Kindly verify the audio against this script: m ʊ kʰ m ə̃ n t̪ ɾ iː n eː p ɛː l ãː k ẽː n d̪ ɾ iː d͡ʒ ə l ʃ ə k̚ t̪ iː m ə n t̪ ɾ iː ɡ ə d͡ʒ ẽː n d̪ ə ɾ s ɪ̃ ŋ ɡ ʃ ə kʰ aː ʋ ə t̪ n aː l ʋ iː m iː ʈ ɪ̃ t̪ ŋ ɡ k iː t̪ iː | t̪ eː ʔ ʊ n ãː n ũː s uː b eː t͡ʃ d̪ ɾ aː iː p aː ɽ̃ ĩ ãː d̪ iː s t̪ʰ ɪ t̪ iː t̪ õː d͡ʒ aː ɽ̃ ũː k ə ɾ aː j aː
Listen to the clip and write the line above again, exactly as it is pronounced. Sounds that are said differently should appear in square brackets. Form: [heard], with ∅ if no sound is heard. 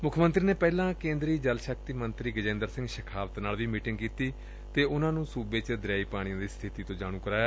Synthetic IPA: m ʊ kʰ m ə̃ n t̪ ɾ iː n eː p ɛː l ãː k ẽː n d̪ ɾ iː d͡ʒ ə l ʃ ə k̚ t̪ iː m ə n t̪ ɾ iː ɡ ə d͡ʒ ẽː n d̪ ə ɾ s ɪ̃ ŋ ɡ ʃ ə kʰ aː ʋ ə t̪ n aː l ʋ iː m iː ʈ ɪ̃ [∅] ŋ ɡ k iː t̪ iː | t̪ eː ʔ ʊ n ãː n ũː s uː b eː t͡ʃ d̪ ɾ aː iː p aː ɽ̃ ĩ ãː d̪ iː s t̪ʰ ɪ t̪ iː t̪ õː d͡ʒ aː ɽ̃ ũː k ə ɾ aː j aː

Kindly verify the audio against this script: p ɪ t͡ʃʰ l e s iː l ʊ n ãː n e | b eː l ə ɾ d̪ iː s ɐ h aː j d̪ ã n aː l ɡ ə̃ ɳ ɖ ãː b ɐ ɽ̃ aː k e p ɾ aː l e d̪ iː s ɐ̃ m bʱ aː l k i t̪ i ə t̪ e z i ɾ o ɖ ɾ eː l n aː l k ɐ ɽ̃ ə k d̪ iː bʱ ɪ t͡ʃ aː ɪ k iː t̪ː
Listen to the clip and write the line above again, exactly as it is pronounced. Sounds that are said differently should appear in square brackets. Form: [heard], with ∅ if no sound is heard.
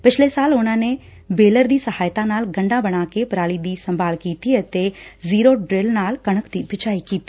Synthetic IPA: p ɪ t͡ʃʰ l e s [aː] l ʊ n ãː n e | b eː l ə ɾ d̪ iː s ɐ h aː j [t̪] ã n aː l ɡ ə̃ ɳ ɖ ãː b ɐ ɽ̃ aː k e p ɾ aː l [i] d̪ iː s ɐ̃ m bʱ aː l k [iː] t̪ i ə t̪ e z [iː] ɾ o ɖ ɾ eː l n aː l k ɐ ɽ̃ ə k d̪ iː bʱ ɪ t͡ʃ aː [i] k iː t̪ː

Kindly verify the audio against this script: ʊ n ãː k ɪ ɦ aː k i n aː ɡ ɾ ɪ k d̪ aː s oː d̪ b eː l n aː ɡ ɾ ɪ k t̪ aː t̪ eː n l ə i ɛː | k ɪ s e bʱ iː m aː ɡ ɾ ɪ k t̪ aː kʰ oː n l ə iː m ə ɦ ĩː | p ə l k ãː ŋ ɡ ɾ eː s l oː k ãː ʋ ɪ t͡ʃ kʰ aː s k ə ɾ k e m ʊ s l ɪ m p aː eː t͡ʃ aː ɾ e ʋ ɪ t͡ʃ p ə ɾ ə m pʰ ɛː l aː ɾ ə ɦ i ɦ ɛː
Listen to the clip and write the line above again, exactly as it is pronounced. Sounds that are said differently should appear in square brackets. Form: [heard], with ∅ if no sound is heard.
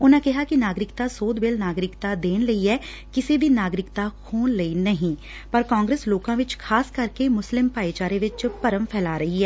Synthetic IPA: ʊ n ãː k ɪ ɦ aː k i n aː ɡ ɾ ɪ k [t̪] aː s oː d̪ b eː l n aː ɡ ɾ ɪ k t̪ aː [d̪] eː n l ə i ɛː | k ɪ s e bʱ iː [n] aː ɡ ɾ ɪ k t̪ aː kʰ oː n l ə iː [n] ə ɦ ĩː | p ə [ɾ] k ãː ŋ ɡ ɾ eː s l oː k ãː ʋ ɪ t͡ʃ kʰ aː s k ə ɾ k e m ʊ s l ɪ m p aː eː t͡ʃ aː ɾ e ʋ ɪ t͡ʃ p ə ɾ ə m pʰ ɛː l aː ɾ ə ɦ i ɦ ɛː

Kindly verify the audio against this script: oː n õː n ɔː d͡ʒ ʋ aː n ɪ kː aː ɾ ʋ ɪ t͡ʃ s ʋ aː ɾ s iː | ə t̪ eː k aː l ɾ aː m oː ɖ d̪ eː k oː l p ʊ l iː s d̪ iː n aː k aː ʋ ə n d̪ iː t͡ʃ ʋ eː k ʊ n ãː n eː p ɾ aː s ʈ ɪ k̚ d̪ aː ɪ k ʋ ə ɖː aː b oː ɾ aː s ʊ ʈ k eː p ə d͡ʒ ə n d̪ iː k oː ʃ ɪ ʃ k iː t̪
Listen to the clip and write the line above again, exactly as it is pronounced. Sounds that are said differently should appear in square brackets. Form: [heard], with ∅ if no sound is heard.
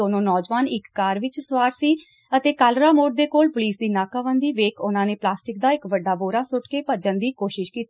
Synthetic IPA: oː n õː n ɔː d͡ʒ ʋ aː n ɪ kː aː ɾ ʋ ɪ t͡ʃ s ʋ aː ɾ s iː | ə t̪ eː k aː l ɾ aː m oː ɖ d̪ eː k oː l p ʊ l iː s d̪ iː n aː k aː ʋ ə n d̪ iː [∅] ʋ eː k ʊ n ãː n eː p [l] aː s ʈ ɪ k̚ d̪ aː ɪ k ʋ ə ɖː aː b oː ɾ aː s ʊ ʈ k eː p ə d͡ʒ ə n d̪ iː k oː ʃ ɪ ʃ k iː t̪

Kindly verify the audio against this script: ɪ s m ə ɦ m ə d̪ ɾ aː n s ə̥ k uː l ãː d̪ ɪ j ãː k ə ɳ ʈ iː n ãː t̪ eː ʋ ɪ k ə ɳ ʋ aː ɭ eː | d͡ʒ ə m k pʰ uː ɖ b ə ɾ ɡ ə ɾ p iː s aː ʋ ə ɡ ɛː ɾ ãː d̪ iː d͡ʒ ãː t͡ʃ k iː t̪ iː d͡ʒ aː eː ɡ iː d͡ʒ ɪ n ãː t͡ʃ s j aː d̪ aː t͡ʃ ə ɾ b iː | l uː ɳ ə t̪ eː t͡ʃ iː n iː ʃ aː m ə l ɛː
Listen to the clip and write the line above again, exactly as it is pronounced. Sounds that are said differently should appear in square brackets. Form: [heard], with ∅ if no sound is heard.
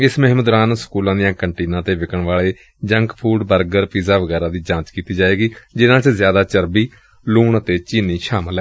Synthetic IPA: ɪ s m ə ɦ m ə d̪ ɾ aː n s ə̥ k uː l ãː d̪ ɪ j ãː k ə ɳ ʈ iː n ãː t̪ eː ʋ ɪ k ə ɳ ʋ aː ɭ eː | d͡ʒ ə [ŋ] k pʰ uː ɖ b ə ɾ ɡ ə ɾ p iː [z] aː ʋ ə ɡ ɛː ɾ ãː d̪ iː d͡ʒ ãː t͡ʃ k iː t̪ iː d͡ʒ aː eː ɡ iː d͡ʒ ɪ n ãː t͡ʃ [z] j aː d̪ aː t͡ʃ ə ɾ b iː | l uː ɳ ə t̪ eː t͡ʃ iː n iː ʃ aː m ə l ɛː

